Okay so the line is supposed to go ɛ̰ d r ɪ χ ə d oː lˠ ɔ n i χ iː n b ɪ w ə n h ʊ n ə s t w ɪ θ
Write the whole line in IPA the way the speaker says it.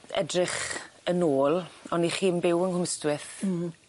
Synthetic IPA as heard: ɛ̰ d r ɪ χ ə n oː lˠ ɔ n i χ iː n b ɪ w ə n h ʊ m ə s t w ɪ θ